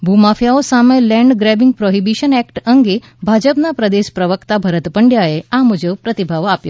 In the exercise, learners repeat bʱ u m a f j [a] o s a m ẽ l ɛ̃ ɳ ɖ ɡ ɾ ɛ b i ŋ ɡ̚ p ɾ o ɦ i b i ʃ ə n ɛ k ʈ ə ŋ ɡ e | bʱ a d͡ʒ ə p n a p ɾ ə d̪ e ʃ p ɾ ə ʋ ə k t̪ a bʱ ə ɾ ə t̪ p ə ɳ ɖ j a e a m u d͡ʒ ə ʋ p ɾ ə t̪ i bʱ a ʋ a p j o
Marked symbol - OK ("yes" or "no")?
yes